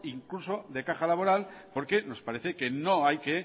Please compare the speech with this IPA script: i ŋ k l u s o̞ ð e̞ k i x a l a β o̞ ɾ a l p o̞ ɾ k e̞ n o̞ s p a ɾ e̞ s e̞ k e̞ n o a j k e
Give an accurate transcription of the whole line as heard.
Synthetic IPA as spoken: i ŋ k l u s o̞ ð e̞ k a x a l a β o̞ ɾ a l p o̞ ɾ k e̞ n o̞ s p a ɾ e̞ θ e̞ k e̞ n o a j k e